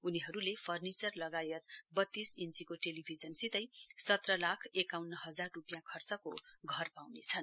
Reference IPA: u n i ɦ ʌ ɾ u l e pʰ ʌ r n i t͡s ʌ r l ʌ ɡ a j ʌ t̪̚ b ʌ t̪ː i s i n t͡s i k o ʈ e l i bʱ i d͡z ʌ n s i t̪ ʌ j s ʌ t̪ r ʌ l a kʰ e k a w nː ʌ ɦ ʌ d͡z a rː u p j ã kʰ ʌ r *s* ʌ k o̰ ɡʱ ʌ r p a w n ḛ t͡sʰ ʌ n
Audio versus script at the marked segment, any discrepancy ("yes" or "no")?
yes